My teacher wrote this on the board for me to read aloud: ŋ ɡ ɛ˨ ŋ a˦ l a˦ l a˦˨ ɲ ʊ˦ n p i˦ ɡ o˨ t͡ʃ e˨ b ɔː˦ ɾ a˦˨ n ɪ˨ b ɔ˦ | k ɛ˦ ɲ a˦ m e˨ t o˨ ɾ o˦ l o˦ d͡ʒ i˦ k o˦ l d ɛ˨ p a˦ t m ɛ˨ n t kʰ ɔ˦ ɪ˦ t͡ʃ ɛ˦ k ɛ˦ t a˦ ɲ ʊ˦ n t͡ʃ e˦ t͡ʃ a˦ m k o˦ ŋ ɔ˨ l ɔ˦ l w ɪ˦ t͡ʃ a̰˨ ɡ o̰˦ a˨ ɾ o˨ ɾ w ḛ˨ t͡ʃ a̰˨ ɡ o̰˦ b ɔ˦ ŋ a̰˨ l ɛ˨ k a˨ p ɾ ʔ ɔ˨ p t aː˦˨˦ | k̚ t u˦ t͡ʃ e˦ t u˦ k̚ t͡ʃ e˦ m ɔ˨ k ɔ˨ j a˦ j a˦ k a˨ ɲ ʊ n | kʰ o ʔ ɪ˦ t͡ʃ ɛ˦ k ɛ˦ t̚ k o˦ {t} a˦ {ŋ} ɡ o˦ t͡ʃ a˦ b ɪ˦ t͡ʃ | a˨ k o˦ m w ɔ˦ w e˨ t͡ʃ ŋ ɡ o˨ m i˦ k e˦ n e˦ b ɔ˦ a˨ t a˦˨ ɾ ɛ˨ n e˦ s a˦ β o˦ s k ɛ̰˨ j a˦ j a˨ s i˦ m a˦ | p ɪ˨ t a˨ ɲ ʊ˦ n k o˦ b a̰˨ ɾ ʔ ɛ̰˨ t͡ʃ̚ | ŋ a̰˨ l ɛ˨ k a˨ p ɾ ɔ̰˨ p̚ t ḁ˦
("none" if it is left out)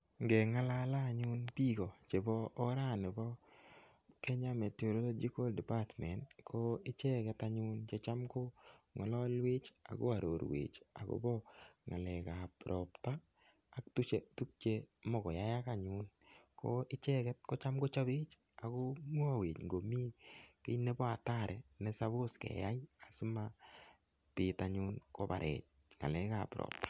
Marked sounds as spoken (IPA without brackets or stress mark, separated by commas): t͡ʃ, m